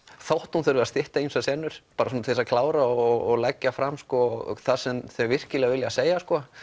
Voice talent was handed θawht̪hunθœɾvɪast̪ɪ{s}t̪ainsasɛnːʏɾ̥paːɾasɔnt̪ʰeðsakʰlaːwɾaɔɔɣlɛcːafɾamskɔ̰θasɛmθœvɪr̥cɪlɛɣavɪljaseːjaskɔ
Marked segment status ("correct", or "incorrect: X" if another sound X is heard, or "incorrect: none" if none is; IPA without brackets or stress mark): incorrect: h